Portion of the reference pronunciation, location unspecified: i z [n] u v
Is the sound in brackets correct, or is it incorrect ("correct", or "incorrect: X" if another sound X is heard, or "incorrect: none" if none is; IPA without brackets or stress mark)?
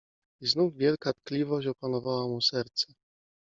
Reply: correct